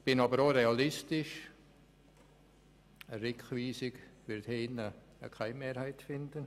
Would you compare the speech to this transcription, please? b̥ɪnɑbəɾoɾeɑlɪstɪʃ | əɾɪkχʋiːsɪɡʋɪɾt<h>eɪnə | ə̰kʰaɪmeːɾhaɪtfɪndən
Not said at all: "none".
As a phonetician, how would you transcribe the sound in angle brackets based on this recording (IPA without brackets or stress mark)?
h